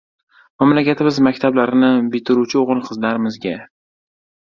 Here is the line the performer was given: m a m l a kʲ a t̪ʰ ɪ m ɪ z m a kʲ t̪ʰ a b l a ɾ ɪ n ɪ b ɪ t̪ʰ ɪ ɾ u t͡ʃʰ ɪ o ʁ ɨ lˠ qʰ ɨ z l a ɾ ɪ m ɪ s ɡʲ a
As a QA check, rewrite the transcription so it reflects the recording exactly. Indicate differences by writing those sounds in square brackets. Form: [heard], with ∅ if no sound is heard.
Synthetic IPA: m a m l a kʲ a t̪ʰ ɪ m ɪ z m a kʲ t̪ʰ a b l a ɾ ɪ n ɪ b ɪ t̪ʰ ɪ ɾ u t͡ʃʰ ɪ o ʁ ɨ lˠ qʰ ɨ z l a ɾ ɪ m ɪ [z] ɡʲ a